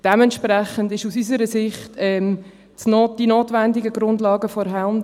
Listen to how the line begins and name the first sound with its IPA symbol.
d̥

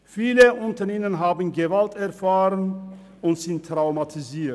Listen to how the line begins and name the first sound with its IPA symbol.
f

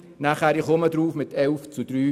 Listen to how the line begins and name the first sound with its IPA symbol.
n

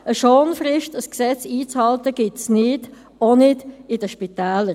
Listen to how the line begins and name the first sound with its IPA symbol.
ə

